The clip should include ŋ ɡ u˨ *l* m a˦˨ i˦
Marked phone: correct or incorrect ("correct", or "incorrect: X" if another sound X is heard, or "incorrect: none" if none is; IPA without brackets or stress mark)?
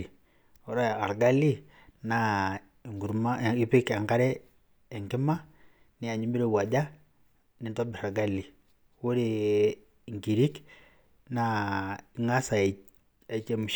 incorrect: ɾ